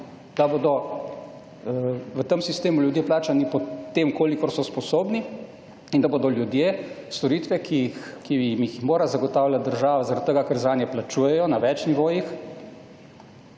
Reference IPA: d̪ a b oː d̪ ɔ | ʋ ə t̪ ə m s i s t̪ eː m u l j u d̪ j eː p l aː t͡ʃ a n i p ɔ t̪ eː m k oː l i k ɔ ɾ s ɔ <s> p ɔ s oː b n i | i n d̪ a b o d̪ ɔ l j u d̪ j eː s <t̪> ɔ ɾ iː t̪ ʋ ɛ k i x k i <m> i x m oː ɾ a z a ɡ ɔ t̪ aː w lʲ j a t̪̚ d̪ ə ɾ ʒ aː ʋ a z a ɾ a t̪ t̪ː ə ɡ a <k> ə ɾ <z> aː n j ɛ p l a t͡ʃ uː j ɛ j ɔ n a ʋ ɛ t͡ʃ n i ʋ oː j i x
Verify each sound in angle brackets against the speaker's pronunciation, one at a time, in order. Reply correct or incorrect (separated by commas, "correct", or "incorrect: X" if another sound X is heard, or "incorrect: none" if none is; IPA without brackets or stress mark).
correct, correct, correct, correct, correct